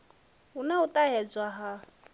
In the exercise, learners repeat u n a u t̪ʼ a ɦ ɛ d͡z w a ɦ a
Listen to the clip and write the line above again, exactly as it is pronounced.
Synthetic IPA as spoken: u n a u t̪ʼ a ɦ ɛ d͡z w a ɦ a